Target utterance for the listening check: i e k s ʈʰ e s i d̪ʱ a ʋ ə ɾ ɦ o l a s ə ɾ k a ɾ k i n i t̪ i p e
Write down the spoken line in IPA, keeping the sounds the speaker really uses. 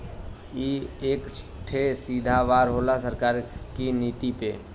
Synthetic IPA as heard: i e k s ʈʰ e s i d̪ʱ a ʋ a ɾ ɦ o l a s ə ɾ k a ɾ k i n i t̪ i p e